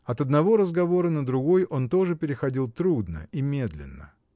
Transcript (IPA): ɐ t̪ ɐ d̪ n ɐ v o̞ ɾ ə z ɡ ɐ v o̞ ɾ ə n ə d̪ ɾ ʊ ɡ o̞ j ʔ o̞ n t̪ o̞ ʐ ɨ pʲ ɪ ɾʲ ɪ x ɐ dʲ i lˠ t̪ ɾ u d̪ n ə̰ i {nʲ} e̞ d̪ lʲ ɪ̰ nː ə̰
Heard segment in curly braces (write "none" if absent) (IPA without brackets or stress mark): mʲ